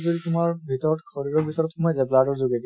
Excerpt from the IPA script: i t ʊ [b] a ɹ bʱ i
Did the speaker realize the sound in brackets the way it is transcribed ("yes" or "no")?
no